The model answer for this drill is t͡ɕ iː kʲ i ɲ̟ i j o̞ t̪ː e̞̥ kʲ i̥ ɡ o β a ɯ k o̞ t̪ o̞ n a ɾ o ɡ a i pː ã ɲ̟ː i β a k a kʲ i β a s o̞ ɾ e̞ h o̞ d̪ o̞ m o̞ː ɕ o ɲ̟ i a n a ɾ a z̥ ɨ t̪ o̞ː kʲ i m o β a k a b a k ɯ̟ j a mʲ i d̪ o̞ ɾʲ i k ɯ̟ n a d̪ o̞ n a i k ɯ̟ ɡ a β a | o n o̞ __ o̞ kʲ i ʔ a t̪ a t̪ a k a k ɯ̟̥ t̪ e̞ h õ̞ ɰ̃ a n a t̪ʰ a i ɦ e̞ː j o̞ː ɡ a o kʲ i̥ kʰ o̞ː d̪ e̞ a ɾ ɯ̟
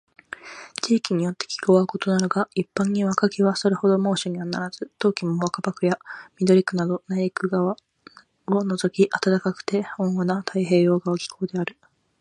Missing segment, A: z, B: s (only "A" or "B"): A